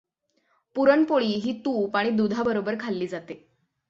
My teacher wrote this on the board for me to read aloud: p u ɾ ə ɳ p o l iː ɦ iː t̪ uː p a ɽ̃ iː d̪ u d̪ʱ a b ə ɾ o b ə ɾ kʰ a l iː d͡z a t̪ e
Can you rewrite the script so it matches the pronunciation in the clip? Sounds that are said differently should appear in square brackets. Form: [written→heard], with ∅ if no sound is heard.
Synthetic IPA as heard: p u ɾ ə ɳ p o [l→ɭ] iː ɦ iː t̪ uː p a ɽ̃ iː d̪ u d̪ʱ a b ə ɾ o b ə ɾ kʰ a [l→lː] iː d͡z a t̪ e